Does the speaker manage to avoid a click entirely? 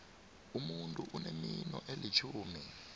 yes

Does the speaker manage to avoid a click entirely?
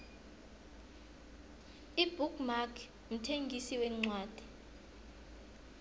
no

